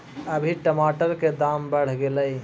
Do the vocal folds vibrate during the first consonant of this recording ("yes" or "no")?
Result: yes